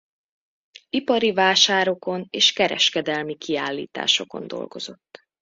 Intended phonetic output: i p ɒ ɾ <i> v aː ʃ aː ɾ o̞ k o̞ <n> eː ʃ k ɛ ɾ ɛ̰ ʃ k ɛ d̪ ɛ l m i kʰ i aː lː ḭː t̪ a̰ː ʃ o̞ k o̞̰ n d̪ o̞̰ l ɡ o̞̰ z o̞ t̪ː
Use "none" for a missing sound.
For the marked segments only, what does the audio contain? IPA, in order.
i, n

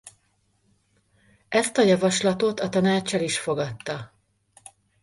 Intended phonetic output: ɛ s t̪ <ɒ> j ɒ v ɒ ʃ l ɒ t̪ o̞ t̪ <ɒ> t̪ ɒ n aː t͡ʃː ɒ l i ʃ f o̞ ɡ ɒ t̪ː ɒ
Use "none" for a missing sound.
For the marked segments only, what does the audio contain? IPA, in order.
ɒ, ɒ

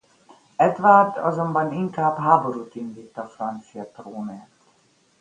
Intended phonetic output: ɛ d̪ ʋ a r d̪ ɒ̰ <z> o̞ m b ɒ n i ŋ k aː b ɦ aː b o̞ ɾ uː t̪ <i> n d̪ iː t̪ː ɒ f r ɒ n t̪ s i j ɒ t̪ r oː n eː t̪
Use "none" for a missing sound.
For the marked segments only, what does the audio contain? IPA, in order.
z, i

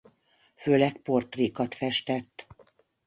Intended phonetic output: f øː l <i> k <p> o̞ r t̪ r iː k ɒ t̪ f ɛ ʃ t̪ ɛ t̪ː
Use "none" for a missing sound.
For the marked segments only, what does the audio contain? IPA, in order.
ɛ, p

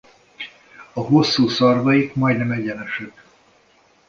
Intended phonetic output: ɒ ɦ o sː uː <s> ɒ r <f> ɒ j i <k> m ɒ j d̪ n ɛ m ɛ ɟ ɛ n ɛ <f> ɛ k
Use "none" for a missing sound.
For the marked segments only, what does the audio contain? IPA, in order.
s, v, k, ʃ

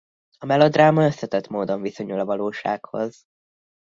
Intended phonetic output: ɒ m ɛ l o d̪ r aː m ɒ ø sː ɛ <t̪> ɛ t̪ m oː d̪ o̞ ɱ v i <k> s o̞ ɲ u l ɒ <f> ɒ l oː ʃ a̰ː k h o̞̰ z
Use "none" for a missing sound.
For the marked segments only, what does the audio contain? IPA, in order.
t̪, none, v

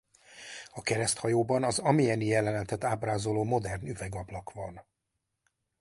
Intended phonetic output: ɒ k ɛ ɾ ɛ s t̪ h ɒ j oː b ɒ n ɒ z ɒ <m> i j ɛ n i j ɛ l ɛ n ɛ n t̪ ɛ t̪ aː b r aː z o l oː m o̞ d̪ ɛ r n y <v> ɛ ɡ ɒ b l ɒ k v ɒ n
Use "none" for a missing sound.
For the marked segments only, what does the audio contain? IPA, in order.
m, v

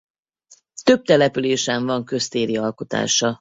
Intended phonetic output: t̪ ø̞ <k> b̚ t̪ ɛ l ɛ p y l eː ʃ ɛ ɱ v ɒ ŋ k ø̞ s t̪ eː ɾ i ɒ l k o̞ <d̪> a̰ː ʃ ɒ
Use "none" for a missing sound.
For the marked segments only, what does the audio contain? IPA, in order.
none, t̪

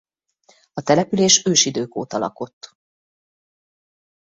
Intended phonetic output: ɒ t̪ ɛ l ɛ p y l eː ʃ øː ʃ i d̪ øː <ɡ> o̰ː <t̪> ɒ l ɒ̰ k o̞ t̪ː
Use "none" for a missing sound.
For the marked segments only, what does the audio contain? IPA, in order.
k, t̪

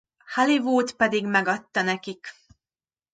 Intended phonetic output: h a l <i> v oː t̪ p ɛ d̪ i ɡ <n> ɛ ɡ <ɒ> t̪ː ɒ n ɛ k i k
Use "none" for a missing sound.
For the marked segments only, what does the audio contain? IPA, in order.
i, m, ɒ

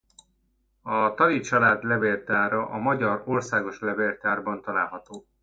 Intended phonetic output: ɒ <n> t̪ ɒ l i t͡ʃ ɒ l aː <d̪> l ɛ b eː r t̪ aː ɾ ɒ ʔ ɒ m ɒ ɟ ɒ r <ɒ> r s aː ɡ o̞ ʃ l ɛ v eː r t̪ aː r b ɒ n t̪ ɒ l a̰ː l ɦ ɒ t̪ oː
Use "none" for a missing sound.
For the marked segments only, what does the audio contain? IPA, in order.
none, d̪, o

